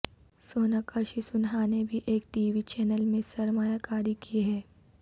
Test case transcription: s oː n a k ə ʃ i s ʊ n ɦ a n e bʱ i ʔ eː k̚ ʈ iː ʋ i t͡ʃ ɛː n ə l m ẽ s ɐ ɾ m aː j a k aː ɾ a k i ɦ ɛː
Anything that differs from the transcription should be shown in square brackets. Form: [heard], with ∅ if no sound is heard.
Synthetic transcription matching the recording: s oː n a k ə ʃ i s ʊ n ɦ a n e bʱ i ʔ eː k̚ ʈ iː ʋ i t͡ʃ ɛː n ə l m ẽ s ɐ ɾ m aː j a k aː ɾ [i] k i ɦ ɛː